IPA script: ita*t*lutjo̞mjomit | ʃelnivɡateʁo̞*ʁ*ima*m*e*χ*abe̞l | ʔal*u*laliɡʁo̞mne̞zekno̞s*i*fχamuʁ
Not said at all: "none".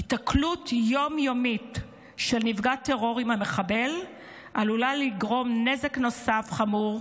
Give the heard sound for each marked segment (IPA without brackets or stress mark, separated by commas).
k, ʁ, m, χ, u, a